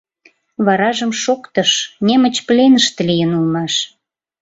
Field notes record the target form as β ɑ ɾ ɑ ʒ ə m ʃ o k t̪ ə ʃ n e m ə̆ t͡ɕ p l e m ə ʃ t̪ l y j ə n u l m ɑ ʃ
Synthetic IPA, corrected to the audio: β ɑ ɾ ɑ ʒ ə m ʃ o k t̪ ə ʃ n e m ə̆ t͡ɕ p l e n ə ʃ t̪ l i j ə n u l m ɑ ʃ